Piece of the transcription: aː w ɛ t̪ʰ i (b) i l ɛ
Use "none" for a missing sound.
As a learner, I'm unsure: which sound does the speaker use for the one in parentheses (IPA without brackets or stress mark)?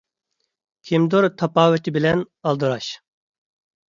b